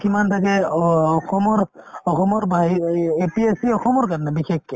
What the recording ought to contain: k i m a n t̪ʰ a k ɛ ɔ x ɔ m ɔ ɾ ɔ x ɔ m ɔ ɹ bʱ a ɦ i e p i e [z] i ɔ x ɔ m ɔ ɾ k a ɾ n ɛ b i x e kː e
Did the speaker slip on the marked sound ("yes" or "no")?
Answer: yes